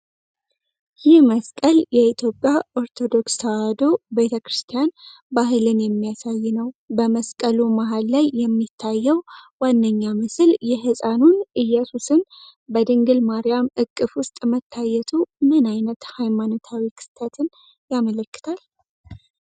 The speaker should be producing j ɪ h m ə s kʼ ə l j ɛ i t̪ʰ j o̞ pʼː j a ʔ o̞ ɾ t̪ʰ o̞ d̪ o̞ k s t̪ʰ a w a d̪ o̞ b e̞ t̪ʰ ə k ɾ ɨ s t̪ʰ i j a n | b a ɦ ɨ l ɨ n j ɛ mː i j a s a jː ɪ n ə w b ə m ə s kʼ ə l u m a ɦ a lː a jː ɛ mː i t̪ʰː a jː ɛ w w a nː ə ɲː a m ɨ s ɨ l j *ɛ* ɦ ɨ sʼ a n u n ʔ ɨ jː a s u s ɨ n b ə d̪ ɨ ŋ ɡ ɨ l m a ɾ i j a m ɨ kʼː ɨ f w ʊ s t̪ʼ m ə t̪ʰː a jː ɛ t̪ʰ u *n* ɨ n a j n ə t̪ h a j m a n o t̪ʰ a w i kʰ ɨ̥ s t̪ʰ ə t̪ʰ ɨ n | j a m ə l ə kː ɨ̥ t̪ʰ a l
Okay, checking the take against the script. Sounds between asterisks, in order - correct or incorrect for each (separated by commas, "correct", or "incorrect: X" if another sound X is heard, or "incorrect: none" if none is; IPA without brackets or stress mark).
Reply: correct, incorrect: m